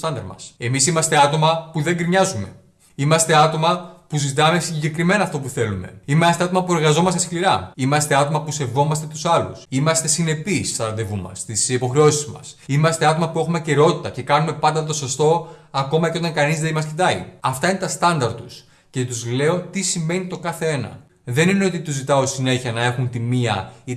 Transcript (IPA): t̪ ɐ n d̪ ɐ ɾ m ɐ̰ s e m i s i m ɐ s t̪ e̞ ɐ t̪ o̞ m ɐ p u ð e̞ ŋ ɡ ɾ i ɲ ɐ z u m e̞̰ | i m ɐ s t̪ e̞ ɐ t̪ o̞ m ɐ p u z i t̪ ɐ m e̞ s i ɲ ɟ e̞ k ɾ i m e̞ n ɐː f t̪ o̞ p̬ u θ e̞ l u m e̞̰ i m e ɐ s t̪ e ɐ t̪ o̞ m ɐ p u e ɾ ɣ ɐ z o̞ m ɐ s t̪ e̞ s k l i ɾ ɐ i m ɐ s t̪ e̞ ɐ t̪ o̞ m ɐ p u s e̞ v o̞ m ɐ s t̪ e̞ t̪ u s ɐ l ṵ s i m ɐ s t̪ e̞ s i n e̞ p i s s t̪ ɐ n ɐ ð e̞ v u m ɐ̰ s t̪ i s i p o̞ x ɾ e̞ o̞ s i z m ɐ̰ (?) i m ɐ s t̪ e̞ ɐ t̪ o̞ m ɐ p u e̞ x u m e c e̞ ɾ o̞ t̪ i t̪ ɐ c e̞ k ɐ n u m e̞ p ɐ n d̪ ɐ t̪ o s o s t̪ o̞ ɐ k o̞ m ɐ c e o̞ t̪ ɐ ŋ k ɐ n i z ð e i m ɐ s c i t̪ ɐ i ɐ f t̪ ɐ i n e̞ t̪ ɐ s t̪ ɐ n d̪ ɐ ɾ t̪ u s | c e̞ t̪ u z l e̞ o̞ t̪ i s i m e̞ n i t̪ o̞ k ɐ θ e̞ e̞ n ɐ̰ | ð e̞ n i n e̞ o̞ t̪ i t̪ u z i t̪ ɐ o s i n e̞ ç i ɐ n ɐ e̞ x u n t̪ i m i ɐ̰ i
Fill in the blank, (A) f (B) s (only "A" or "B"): B